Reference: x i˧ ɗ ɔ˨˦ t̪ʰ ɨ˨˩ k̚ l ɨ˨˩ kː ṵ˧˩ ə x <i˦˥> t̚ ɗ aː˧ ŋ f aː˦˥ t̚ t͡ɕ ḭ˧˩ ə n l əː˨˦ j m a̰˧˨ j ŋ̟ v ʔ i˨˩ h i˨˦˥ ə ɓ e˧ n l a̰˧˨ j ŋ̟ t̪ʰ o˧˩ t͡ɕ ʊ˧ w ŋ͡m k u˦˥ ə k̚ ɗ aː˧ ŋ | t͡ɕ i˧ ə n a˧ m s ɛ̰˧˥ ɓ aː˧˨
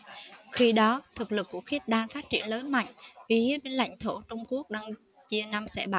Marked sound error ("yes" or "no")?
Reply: no